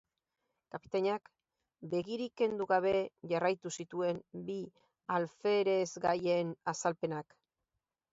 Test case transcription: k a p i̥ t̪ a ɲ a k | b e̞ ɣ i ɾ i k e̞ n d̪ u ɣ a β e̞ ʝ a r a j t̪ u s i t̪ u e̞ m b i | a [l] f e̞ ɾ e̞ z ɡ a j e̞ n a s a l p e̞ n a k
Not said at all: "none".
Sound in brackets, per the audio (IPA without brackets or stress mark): l